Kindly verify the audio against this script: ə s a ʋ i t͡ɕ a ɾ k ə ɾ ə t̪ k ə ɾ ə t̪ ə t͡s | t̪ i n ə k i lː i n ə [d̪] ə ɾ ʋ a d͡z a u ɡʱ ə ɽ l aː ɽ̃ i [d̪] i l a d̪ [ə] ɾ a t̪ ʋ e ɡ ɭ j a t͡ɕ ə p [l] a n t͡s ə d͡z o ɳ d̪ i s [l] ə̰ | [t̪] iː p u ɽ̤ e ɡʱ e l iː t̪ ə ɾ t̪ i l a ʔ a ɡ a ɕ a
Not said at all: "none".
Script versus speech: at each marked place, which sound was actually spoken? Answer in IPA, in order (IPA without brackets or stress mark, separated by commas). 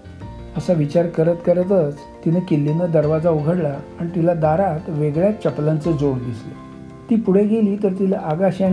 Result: d̪, t̪, a, l, l, t̪